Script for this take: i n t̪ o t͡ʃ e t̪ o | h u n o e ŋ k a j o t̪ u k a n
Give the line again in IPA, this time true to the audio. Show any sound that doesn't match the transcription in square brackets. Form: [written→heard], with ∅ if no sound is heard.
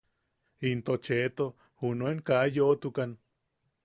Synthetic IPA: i n t̪ o t͡ʃ e t̪ o | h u n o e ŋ k a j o t̪ u k a n